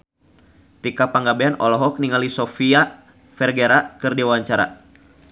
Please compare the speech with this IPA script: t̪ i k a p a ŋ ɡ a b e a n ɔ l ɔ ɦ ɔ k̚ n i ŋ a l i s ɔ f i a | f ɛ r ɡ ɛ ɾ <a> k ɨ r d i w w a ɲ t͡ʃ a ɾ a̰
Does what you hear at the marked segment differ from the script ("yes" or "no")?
no